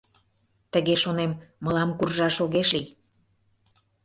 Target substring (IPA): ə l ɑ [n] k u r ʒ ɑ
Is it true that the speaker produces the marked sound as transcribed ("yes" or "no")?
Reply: no